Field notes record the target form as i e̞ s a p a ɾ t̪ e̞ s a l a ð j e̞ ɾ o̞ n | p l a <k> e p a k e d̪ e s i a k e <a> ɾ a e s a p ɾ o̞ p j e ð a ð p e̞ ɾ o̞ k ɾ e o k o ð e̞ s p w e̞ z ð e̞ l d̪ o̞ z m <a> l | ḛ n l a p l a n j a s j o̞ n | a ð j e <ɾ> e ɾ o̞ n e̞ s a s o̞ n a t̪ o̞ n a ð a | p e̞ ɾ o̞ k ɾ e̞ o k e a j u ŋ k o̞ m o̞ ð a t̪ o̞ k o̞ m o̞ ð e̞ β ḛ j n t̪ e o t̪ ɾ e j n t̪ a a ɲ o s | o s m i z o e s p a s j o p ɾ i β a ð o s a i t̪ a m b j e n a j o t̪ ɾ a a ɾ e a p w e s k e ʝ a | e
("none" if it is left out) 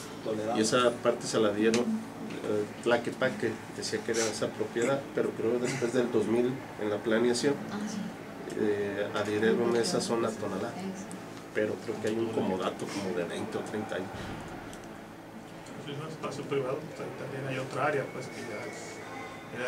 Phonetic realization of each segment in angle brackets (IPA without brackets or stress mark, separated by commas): k, e, i, ɾ